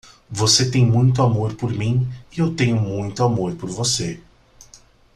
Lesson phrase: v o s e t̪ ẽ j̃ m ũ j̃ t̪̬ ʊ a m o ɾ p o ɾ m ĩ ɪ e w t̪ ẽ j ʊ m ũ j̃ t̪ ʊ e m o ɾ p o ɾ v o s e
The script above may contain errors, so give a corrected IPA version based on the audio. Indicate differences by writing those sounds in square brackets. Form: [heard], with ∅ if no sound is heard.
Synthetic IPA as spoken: v o s e t̪ ẽ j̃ m ũ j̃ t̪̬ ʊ a m o ɾ p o ɾ m ĩ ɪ e w t̪ ẽ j ʊ m ũ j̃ t̪ ʊ [a] m o ɾ p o ɾ v o s e